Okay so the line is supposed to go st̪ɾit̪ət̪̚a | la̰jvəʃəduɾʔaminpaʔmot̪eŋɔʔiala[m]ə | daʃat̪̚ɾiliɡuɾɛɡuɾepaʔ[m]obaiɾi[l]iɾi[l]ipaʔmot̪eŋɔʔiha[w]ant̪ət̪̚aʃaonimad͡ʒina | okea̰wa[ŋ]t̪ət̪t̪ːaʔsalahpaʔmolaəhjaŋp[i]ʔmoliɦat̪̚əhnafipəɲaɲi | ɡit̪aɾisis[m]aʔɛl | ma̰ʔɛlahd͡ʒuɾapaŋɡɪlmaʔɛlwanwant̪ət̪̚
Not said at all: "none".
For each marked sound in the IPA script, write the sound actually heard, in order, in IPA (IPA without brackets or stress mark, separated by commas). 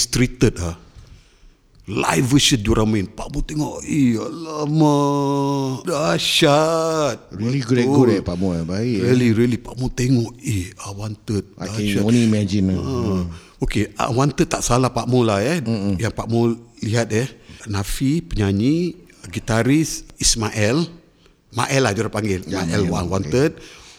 m, m, l, l, w, n, a, m